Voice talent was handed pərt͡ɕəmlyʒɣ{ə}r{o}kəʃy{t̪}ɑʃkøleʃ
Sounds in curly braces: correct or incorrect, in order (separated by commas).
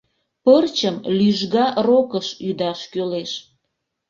incorrect, correct, incorrect